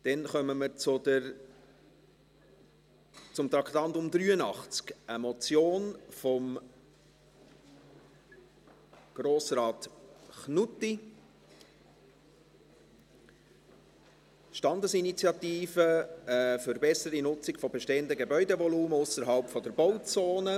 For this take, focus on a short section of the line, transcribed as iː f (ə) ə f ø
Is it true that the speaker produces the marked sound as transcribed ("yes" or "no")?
yes